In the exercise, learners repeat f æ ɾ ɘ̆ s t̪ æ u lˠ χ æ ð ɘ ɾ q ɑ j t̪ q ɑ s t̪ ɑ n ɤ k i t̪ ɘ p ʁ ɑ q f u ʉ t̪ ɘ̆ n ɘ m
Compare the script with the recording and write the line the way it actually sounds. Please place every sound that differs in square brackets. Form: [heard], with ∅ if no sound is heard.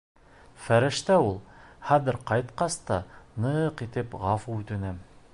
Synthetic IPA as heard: f æ ɾ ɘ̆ [ʃ] t̪ æ u lˠ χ æ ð ɘ ɾ q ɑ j t̪ q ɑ s t̪ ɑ n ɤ [q] i t̪ ɘ p ʁ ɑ [∅] f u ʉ t̪ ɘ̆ n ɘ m